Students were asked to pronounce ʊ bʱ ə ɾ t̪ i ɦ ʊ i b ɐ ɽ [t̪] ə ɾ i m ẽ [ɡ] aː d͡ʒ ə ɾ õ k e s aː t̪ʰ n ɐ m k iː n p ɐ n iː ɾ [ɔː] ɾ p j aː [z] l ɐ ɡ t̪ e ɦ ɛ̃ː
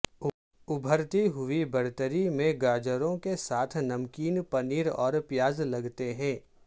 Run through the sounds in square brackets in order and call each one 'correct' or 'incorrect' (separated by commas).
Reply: correct, correct, correct, correct